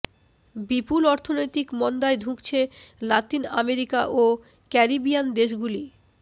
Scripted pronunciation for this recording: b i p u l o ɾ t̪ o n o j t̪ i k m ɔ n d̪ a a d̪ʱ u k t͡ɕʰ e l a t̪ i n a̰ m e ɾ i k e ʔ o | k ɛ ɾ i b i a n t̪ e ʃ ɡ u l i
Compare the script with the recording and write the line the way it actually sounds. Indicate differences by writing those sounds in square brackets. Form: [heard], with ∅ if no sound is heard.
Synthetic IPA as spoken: b i p u l [ɔ] ɾ [t̪ʰ] o n o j t̪ i k m ɔ n d̪ a [e] d̪ʱ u k t͡ɕʰ e l a t̪ i n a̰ m e ɾ i k [a] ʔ o | k ɛ ɾ i b i a n [d̪] e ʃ ɡ u l i